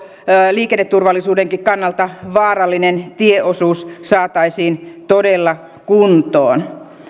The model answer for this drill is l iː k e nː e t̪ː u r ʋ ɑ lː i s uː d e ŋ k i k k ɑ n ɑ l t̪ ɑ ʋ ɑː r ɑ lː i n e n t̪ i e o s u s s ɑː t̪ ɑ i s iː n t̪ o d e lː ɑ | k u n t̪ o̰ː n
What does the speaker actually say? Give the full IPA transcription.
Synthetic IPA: l iː k e nː e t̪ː u r ʋ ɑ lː i s uː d e ŋ k i k k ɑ nː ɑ l t̪ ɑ ʋ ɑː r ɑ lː i n e n t̪ i e o s uː s s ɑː t̪ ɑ i s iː n t̪ o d e lː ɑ | k u n t̪ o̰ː n